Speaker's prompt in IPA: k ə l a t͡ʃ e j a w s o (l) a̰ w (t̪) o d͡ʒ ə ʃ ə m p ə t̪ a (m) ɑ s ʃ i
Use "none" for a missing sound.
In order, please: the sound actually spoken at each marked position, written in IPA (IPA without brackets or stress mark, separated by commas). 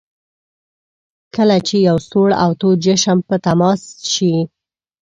ɽ, t̪, m